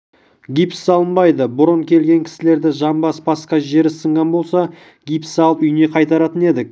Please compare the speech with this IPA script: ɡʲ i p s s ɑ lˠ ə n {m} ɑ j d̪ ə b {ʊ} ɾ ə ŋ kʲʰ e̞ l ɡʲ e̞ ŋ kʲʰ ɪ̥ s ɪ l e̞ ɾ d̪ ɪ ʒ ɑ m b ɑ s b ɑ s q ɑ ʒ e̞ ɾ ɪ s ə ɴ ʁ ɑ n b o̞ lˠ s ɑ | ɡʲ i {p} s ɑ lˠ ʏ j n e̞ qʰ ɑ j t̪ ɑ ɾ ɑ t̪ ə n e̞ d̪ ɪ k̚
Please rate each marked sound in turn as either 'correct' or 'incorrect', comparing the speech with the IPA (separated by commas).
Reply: incorrect, correct, correct